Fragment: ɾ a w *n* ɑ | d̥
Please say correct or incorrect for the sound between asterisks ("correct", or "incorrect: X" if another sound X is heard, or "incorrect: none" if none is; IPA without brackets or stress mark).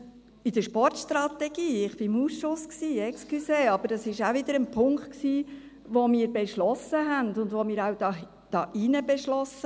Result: incorrect: d